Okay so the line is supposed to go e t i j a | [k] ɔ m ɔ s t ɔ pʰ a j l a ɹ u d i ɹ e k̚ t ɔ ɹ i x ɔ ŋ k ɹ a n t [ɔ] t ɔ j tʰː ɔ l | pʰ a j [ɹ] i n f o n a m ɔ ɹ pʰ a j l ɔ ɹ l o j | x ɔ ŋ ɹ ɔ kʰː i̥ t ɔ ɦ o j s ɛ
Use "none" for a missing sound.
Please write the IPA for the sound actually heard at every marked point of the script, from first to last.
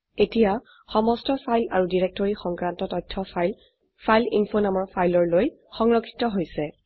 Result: x, ɔ, l

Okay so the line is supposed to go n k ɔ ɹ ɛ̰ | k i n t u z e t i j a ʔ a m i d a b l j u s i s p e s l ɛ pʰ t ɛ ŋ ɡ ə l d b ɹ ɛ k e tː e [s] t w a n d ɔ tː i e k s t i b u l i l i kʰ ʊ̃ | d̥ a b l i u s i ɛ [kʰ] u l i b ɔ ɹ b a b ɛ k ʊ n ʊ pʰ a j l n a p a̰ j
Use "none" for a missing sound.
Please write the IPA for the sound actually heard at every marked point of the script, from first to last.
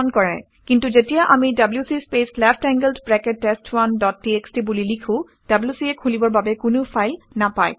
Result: s, kʰ

